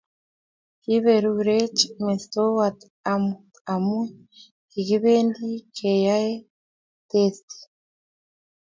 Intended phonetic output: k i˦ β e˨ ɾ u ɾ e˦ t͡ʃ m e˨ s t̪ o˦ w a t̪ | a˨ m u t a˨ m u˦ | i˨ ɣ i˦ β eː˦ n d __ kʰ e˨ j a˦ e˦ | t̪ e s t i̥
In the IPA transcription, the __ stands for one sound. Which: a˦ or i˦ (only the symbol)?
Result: i˦